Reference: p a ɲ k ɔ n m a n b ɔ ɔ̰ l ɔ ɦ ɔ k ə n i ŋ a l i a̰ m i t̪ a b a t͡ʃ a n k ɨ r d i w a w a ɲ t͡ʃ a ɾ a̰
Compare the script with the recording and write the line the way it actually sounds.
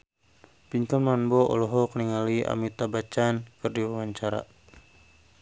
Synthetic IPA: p i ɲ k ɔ n m a n b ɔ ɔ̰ l ɔ ɦ ɔ k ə n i ŋ a l i a̰ m i t̪ a b a t͡ʃ a n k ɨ r d i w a w a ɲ t͡ʃ a ɾ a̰

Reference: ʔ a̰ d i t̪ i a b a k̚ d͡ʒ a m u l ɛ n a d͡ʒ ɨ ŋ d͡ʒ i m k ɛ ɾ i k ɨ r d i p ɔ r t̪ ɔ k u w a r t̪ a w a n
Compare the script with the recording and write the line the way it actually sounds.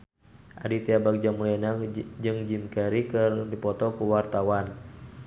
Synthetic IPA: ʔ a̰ d i t̪ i a b a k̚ d͡ʒ a m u l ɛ n a d͡ʒ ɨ ŋ d͡ʒ i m k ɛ ɾ i k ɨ r d i p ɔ t̪ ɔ k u w a r t̪ a w a n

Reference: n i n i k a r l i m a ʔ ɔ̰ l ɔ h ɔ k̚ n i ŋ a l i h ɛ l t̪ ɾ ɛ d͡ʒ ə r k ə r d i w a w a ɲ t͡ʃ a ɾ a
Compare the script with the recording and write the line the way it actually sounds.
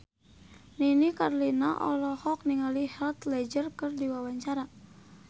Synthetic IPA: n i n i k a r l i n a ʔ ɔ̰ l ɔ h ɔ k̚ n i ŋ a l i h ɛ l t̪ l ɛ d͡ʒ ə r k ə r d i w a w a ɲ t͡ʃ a ɾ a

